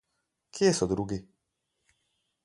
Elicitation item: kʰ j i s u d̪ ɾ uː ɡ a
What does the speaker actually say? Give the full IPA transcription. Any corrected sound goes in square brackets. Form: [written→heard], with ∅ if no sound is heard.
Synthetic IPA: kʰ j [i→e] s [u→ɔ] d̪ ɾ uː ɡ [a→i]

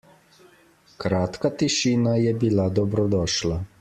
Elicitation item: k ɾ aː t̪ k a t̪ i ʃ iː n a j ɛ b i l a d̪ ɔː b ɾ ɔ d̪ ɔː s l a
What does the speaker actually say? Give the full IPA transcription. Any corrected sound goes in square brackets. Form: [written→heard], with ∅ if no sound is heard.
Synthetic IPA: k ɾ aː t̪ k a t̪ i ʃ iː n a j ɛ b i l a d̪ [ɔː→ɔ] b ɾ ɔ d̪ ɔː [s→ʃ] l a

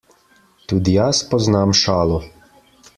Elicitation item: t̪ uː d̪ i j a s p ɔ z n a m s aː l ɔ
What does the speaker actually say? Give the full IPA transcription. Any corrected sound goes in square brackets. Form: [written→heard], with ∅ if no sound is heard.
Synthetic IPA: t̪ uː d̪ i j a s p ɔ z n a m [s→ʃ] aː l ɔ

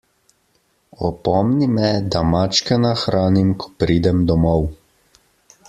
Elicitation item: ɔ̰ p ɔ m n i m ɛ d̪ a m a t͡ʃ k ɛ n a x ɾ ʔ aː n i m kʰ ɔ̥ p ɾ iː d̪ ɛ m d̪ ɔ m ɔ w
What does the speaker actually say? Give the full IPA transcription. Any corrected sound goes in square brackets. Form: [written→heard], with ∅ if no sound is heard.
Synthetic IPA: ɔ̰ p ɔ m n i m ɛ d̪ a m a t͡ʃ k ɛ n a x ɾ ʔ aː n i m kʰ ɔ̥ p ɾ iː d̪ ɛ m d̪ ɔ m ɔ w

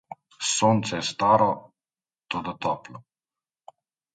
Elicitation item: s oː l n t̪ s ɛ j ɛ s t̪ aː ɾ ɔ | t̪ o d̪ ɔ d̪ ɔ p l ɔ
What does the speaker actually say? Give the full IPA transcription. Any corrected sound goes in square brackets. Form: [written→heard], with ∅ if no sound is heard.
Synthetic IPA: s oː [l→∅] n t̪ s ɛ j ɛ s t̪ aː ɾ ɔ | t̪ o d̪ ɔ [d̪→t̪] ɔ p l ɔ

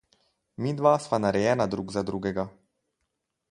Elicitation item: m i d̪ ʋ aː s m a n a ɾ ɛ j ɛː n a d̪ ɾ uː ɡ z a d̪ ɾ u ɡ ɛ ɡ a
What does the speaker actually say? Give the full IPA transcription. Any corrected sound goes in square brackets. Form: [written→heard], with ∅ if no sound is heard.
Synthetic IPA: m i d̪ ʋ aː s m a n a ɾ ɛ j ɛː n a d̪ ɾ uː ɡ z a d̪ ɾ u ɡ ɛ ɡ a

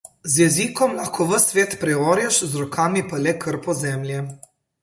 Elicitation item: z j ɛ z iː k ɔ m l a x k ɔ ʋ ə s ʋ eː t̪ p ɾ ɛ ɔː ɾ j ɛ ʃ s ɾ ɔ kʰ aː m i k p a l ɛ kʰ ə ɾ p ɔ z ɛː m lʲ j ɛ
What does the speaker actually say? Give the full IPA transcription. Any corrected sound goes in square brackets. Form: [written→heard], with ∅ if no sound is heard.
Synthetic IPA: z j ɛ z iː k ɔ m l a x k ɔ ʋ ə s ʋ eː t̪ p ɾ ɛ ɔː ɾ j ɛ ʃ [s→z] ɾ ɔ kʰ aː m i [k→∅] p a l ɛ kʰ ə ɾ p ɔ z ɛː m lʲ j ɛ

